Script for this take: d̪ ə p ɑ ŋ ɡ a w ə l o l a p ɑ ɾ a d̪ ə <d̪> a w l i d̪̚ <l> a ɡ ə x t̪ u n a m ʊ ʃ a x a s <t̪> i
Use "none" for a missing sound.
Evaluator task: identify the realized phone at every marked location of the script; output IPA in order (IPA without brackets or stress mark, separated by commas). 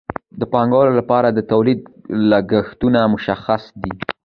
t̪, l, d̪